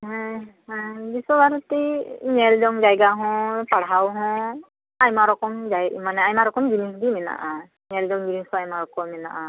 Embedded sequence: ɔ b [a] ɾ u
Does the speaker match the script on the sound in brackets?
yes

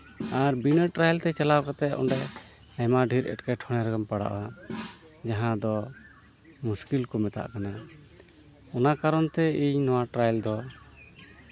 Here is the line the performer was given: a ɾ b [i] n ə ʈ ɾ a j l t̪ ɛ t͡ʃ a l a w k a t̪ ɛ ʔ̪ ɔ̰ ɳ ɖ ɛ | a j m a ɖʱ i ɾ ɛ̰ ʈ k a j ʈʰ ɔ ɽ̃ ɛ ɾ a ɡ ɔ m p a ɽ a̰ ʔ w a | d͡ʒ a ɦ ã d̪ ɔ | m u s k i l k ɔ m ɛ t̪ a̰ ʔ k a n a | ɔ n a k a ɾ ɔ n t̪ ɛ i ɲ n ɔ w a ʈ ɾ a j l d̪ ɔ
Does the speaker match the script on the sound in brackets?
yes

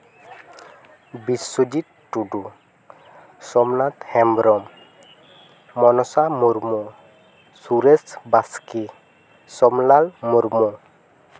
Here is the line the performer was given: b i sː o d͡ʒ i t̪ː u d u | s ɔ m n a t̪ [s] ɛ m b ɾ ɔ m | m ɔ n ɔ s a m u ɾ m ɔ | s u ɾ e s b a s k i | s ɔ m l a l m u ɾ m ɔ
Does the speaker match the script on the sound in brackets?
no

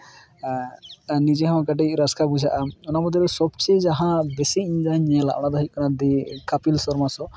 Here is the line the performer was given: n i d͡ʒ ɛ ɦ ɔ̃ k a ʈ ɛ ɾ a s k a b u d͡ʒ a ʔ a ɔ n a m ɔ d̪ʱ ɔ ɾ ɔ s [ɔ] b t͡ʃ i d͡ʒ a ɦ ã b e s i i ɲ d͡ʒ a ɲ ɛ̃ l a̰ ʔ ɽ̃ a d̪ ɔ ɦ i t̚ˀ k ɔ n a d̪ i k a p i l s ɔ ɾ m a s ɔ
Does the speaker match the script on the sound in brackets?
yes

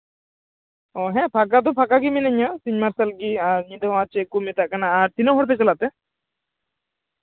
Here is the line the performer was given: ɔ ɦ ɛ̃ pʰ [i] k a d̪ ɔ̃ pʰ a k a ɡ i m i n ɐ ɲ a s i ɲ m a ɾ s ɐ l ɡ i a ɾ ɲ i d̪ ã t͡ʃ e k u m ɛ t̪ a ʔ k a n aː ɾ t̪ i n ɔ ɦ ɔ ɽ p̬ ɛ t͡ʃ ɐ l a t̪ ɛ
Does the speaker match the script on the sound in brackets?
no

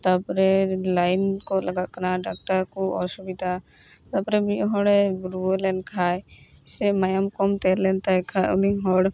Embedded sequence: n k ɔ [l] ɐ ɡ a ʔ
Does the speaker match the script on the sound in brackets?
yes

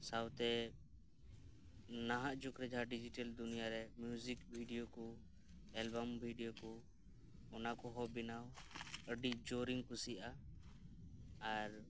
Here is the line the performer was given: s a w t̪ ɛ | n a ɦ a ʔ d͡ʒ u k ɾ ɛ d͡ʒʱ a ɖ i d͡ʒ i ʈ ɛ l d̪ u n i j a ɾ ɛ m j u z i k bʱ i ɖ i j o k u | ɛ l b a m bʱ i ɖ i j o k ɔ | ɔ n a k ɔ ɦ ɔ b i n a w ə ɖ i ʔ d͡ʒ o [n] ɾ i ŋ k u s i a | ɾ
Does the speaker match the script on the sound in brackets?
no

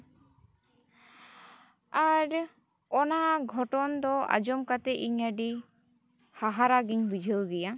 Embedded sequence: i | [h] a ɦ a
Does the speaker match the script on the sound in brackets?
yes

